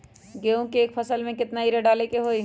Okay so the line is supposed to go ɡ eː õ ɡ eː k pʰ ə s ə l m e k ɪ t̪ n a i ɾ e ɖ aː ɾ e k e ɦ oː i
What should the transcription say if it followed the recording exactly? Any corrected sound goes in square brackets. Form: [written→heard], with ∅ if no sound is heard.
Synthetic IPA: ɡ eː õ [ɡ→k] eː k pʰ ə s ə l m [e→ẽ] k ɪ t̪ n a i ɾ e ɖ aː [ɾ→l] e k e ɦ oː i